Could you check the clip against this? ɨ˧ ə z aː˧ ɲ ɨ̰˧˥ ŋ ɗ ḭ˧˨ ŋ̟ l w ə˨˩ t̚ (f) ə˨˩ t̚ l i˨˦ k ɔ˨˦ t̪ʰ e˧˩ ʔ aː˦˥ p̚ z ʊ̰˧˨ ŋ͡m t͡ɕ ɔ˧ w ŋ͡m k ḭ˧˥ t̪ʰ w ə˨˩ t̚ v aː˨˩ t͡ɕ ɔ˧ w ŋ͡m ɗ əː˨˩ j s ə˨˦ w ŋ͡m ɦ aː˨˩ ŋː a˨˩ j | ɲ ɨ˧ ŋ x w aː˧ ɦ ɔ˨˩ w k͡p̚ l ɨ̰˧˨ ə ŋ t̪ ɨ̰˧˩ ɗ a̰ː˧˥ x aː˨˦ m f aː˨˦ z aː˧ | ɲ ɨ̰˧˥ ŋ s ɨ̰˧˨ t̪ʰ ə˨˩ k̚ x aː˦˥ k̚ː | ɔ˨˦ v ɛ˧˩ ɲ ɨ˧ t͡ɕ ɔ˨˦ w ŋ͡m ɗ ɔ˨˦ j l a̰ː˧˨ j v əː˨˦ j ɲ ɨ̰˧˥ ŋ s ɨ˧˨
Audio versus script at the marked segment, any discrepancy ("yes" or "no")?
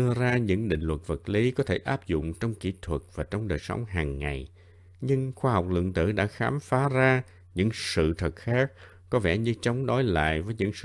yes